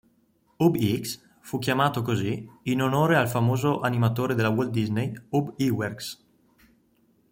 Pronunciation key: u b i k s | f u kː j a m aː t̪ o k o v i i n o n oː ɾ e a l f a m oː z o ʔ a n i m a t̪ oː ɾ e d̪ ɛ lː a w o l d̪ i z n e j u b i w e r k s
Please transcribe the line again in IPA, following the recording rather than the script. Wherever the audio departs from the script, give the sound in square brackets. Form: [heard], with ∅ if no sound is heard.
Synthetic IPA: u b i k s | f u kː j a m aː t̪ o k o [z] i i n o n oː ɾ e a l f a m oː z o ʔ a n i m a t̪ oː ɾ e d̪ [e] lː a w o l d̪ i z n e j u b i w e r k s